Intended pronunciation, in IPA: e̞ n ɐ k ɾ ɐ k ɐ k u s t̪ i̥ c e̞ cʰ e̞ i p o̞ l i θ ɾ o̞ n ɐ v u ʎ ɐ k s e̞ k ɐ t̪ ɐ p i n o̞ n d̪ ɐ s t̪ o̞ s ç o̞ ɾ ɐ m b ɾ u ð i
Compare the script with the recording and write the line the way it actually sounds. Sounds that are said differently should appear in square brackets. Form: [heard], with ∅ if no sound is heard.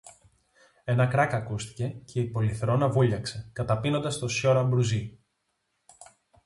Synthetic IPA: e̞ n ɐ k ɾ ɐ k ɐ k u s t̪ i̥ c e̞ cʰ e̞ i p o̞ l i θ ɾ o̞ n ɐ v u ʎ ɐ k s e̞ k ɐ t̪ ɐ p i n o̞ n d̪ ɐ s t̪ o̞ s ç o̞ ɾ ɐ m b ɾ u [z] i